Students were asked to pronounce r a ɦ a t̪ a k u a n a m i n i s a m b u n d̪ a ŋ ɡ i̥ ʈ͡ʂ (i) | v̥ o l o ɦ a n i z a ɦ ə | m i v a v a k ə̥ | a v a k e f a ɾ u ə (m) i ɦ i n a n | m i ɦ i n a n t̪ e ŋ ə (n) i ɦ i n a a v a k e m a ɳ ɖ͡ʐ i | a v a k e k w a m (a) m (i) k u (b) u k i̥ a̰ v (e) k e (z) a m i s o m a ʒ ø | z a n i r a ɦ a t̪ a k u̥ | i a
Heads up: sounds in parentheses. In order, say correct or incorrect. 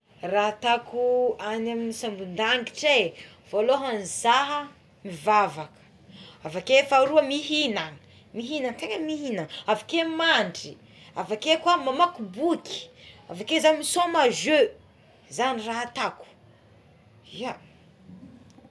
incorrect: e, correct, incorrect: m, correct, incorrect: a, correct, incorrect: a, correct

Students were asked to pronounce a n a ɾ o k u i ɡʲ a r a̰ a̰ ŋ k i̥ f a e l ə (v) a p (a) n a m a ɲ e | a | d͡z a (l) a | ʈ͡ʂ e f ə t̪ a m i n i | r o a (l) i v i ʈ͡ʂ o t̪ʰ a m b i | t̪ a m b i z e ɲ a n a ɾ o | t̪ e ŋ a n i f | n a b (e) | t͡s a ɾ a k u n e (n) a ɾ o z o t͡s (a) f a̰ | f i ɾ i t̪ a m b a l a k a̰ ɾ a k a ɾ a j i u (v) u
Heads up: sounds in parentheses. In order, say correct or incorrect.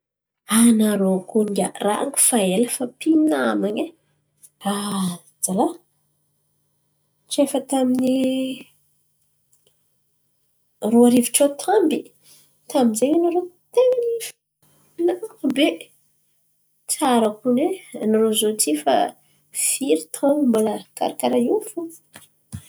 incorrect: f, incorrect: i, correct, incorrect: ɾ, correct, correct, incorrect: i, incorrect: f

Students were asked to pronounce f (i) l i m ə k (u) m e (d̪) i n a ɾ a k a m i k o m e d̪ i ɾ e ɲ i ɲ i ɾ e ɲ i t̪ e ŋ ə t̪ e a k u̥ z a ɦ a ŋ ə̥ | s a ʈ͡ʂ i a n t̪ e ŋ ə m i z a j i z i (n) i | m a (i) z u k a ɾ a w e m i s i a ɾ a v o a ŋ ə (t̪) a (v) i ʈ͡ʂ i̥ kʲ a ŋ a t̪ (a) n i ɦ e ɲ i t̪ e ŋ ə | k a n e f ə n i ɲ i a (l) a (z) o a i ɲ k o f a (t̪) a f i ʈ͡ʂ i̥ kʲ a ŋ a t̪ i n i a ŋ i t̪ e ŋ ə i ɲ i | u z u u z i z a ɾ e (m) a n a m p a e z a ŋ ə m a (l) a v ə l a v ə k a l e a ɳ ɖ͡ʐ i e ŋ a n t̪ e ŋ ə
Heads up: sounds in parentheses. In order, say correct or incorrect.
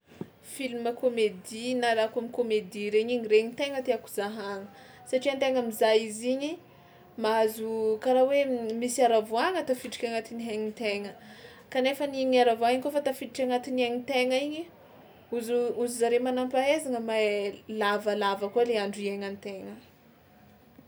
correct, incorrect: o, correct, incorrect: ɲ, incorrect: a, correct, incorrect: f, incorrect: i, incorrect: ɾ, incorrect: v, correct, correct, correct

